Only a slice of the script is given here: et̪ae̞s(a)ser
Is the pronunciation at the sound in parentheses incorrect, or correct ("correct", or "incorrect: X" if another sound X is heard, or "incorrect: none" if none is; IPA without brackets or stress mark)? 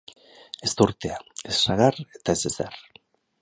incorrect: e